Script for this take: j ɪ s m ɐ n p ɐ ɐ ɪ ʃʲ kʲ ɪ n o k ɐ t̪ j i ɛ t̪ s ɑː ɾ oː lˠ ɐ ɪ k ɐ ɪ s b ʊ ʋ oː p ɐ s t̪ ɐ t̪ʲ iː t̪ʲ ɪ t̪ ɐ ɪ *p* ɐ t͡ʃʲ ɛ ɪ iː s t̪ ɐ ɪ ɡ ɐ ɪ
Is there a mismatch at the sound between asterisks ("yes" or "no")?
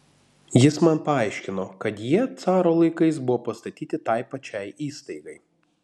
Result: no